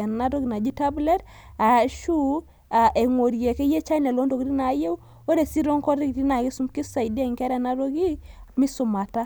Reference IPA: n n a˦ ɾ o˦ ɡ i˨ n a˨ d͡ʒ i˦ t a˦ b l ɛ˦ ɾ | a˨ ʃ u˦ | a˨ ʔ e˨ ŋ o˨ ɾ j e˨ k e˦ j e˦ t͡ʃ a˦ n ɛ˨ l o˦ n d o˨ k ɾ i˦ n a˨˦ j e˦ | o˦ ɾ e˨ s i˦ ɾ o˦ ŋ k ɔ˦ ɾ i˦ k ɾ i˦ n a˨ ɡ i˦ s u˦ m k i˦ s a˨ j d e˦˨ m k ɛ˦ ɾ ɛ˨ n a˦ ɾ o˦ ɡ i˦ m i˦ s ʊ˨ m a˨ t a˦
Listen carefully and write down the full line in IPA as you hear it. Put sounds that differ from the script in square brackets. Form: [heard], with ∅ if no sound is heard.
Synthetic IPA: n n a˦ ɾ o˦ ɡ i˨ n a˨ d͡ʒ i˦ t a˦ b l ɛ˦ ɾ | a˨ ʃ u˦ | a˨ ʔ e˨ ŋ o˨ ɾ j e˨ k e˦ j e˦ t͡ʃ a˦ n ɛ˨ l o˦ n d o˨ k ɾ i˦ n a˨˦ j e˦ | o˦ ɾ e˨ s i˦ ɾ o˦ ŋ k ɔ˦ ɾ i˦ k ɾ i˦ n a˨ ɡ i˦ s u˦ m k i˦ s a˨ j d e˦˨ [ŋ] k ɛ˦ ɾ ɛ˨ n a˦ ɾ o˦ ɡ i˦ m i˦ s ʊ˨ m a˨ t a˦